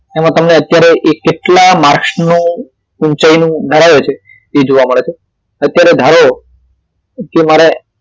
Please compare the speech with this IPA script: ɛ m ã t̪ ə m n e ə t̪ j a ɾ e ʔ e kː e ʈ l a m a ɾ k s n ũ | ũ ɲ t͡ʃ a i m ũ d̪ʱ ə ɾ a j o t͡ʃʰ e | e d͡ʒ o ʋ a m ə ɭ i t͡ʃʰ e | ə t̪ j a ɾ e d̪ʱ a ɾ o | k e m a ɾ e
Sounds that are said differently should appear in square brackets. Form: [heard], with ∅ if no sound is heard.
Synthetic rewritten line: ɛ m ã t̪ ə m n e ə t̪ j a ɾ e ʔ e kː e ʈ l a m a ɾ k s n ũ | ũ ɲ t͡ʃ a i [n] ũ d̪ʱ ə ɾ a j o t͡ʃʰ e | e d͡ʒ o ʋ a m ə ɭ [e] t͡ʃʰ e | ə t̪ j a ɾ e d̪ʱ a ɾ o | k e m a ɾ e

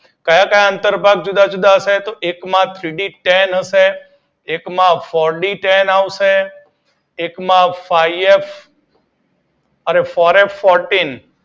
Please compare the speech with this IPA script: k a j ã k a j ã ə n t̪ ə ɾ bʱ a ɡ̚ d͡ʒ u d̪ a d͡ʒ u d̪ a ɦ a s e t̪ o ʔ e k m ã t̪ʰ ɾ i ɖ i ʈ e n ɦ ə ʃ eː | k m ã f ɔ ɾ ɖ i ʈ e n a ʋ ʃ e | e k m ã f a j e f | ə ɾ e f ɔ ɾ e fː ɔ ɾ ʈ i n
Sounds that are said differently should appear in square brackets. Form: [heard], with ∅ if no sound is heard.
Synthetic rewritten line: k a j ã k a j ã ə n t̪ ə ɾ bʱ a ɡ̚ d͡ʒ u d̪ a d͡ʒ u d̪ a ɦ [ə] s e t̪ o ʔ e k m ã t̪ʰ ɾ i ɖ i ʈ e n ɦ ə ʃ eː | k m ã f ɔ ɾ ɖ i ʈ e n a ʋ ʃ e | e k m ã f a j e f | ə ɾ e f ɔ ɾ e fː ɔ ɾ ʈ i n

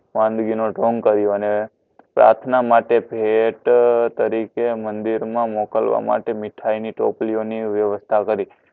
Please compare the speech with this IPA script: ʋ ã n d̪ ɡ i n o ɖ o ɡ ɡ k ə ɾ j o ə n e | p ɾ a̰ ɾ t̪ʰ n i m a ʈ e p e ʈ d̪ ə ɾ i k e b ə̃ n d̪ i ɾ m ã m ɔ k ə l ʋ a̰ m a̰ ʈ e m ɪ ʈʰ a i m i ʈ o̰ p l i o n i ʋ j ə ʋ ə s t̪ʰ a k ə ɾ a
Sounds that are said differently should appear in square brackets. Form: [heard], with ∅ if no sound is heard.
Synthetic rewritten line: ʋ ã n d̪ ɡ i n o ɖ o [ŋ] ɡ k ə ɾ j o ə n e | p ɾ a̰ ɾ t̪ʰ n [a] m a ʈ e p e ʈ [t̪] ə ɾ i k e [m] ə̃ n d̪ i ɾ m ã m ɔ k ə l ʋ a̰ m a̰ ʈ e m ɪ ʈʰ a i [n] i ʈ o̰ p l i o n i ʋ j ə ʋ ə s t̪ʰ a k ə ɾ [i]

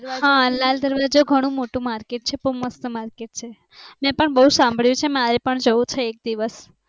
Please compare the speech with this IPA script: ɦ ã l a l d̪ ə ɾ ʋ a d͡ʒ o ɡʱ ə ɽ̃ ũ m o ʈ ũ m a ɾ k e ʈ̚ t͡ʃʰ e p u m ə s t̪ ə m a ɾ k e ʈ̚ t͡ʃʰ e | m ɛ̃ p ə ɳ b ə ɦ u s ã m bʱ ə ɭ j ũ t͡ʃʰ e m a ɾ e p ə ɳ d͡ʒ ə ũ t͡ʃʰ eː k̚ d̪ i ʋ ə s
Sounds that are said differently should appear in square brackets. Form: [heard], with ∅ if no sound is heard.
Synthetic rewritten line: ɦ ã l a l d̪ ə ɾ ʋ a d͡ʒ o ɡʱ ə ɽ̃ ũ m o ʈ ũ m a ɾ k e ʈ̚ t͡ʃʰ e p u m ə s t̪ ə m a ɾ k e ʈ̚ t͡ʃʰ e | m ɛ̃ p ə ɳ b ə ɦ u s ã m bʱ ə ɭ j ũ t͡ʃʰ e m a ɾ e p ə ɳ d͡ʒ ə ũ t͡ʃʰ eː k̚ d̪ i ʋ ə s

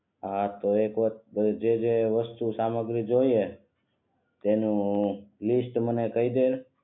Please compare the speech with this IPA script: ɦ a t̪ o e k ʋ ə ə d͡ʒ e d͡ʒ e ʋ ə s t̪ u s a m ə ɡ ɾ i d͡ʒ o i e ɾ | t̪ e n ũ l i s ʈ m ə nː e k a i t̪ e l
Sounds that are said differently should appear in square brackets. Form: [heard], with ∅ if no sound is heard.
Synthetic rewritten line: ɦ a t̪ o e k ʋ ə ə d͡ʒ e d͡ʒ e ʋ ə s t̪ u s a m ə ɡ ɾ i d͡ʒ o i e [∅] | t̪ e n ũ l i s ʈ m ə [n] e k [ə] i [d̪] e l

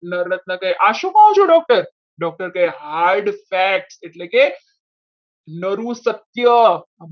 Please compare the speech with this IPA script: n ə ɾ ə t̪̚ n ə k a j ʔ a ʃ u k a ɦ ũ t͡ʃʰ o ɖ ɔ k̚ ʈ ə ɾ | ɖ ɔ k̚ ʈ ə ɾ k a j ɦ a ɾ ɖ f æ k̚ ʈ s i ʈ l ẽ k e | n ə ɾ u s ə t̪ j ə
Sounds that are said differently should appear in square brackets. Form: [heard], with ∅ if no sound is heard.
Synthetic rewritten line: n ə ɾ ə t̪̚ n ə k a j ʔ a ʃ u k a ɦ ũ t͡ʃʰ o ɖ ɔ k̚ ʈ ə ɾ | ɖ ɔ k̚ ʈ ə ɾ k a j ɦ a ɾ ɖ f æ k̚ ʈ s [e] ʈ l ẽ k e | n ə ɾ u s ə t̪ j ə

